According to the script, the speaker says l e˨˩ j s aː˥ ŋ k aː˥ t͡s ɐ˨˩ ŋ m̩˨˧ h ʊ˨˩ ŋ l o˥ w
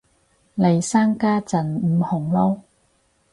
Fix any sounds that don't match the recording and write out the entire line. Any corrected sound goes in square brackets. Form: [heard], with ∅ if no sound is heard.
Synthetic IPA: l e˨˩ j s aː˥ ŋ k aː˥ t͡s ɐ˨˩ [n] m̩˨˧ h ʊ˨˩ ŋ l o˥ w